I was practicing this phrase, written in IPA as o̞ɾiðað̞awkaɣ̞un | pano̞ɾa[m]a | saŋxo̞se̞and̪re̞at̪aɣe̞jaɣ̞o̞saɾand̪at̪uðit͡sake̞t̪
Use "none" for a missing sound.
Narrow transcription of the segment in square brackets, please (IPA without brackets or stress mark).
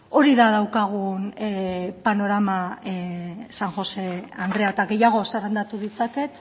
m